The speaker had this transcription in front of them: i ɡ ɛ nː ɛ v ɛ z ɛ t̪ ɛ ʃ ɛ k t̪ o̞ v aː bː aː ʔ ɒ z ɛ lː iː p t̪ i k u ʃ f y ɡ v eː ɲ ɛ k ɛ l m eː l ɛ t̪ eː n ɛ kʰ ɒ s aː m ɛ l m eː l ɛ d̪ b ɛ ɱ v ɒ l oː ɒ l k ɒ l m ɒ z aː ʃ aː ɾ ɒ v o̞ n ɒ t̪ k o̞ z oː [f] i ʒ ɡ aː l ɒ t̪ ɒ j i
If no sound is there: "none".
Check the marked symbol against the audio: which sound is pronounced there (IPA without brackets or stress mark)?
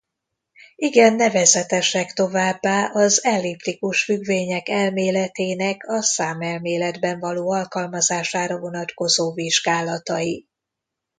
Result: v